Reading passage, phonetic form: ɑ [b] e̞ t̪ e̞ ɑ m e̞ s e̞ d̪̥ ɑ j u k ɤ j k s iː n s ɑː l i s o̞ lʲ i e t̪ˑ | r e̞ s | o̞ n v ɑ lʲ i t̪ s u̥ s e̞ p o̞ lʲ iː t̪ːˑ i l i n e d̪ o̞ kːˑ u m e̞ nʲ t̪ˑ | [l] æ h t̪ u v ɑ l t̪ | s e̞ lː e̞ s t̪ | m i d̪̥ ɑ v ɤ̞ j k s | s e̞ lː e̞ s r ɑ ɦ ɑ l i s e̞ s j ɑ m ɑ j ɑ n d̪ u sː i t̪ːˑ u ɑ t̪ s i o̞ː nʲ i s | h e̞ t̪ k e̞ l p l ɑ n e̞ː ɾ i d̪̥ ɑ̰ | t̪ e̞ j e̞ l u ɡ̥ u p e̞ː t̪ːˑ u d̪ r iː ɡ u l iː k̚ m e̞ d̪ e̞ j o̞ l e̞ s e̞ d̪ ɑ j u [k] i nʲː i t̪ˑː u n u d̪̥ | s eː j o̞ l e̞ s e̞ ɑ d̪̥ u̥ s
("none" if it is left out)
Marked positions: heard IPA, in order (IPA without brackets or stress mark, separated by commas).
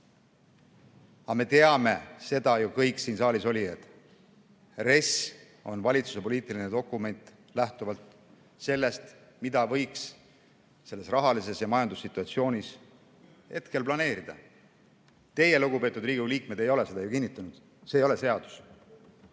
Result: m, l, k